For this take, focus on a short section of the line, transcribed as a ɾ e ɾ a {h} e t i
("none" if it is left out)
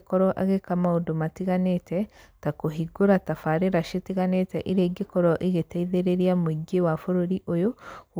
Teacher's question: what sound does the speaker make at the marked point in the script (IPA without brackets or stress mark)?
ʃ